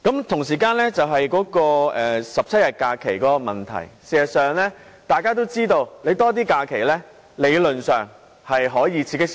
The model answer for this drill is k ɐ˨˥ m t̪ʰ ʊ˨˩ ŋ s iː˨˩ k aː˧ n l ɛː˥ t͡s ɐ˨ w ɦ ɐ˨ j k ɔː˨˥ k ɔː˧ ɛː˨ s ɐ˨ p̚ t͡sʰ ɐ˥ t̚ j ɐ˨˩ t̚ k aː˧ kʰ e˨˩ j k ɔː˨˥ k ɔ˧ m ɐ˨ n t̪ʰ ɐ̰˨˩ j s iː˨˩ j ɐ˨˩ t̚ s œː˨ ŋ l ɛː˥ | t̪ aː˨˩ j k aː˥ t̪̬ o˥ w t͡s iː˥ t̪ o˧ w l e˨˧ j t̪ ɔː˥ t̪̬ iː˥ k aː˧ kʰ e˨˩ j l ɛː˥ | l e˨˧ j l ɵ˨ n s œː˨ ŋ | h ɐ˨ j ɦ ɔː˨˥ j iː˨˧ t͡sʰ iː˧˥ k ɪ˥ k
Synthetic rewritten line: k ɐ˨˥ m t̪ʰ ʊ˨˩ ŋ s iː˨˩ k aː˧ n l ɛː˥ t͡s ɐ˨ w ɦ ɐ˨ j k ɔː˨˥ k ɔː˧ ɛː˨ s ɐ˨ p̚ t͡sʰ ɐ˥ t̚ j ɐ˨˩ t̚ k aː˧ kʰ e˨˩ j k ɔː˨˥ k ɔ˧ m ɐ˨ n t̪ʰ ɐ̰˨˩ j s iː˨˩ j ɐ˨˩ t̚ s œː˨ ŋ l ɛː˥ | t̪ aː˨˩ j k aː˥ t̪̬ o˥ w t͡s iː˥ t̪ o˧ w l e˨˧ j t̪ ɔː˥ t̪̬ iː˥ k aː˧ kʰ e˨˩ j l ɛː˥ | l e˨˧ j l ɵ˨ n s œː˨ ŋ | h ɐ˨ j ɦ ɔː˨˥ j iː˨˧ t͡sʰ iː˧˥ k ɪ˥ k